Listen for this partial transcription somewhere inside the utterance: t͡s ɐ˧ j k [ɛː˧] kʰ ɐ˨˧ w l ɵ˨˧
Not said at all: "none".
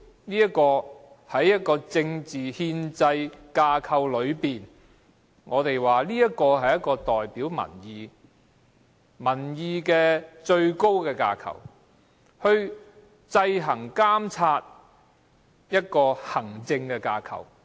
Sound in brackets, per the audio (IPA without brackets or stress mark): aː˧